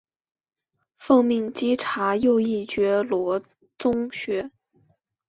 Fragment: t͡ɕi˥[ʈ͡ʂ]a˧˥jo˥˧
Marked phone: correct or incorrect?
incorrect: ʈ͡ʂʰ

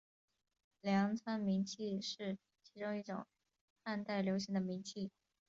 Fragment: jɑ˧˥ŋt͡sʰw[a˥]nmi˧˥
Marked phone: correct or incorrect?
correct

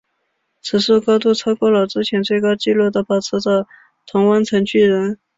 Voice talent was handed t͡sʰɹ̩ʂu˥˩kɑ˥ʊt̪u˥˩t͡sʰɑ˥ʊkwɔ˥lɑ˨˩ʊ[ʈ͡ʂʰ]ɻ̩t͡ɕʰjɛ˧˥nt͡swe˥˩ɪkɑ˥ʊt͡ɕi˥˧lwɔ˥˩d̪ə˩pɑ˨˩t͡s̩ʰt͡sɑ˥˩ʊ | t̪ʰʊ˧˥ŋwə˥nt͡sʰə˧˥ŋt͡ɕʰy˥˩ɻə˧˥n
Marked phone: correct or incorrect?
incorrect: ʈ͡ʂ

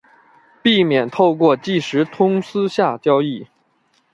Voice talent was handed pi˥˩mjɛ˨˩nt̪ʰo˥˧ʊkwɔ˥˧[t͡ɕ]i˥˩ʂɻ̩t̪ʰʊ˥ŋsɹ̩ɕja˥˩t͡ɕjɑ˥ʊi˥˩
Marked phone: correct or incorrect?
correct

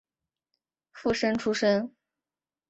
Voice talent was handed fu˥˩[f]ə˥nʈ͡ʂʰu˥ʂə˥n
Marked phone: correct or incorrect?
incorrect: ʂ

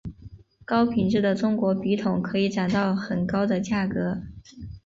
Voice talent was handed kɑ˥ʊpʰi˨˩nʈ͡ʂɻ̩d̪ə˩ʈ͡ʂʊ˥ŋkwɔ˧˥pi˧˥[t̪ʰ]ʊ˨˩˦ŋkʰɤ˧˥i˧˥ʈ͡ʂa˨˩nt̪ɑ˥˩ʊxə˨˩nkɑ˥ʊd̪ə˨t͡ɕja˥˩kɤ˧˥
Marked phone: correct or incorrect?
correct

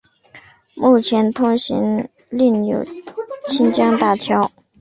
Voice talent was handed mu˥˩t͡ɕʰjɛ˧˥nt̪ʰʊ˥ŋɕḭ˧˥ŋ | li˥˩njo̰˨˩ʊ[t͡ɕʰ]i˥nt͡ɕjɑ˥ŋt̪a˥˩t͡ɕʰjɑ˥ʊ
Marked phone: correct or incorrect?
correct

